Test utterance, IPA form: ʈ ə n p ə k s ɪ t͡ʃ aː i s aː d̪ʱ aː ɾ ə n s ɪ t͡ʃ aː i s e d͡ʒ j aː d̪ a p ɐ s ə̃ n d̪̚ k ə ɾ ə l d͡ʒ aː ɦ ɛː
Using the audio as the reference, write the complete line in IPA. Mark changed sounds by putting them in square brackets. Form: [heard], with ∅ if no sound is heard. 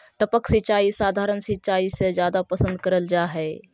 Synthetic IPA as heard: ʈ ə [∅] p ə k s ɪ t͡ʃ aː i s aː d̪ʱ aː ɾ ə n s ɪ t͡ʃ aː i s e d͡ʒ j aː d̪ a p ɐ s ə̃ n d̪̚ k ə ɾ ə l d͡ʒ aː ɦ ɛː